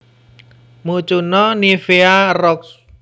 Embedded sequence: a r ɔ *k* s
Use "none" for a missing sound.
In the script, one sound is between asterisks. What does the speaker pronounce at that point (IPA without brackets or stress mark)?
k